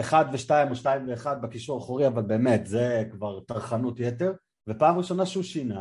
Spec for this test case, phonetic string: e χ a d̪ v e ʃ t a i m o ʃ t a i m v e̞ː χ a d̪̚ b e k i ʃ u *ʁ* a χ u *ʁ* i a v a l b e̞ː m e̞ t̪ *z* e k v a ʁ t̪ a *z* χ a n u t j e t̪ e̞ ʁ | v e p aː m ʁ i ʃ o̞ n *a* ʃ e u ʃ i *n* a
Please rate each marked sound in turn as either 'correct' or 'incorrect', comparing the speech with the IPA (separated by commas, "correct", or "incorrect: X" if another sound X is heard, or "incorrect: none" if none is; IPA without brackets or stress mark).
correct, correct, correct, incorrect: ʁ, correct, correct